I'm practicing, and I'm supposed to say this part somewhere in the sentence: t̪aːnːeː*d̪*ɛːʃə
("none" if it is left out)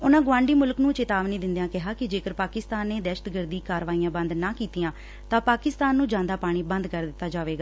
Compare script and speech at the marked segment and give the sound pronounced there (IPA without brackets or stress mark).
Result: d̪